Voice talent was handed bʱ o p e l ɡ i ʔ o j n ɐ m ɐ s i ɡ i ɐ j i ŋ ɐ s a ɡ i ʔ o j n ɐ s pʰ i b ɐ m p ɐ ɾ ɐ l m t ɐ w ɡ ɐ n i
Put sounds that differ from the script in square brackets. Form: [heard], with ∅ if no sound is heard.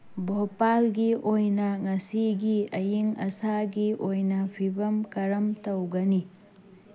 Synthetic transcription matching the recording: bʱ o p [a] l ɡ i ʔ o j n ɐ [ŋ] ɐ s i ɡ i ɐ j i ŋ ɐ s a ɡ i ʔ o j n ɐ [∅] pʰ i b ɐ m [k] ɐ ɾ ɐ [∅] m t ɐ w ɡ ɐ n i